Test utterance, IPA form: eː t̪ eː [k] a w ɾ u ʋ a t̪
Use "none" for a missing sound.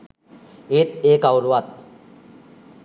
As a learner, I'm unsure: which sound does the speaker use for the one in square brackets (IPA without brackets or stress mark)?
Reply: k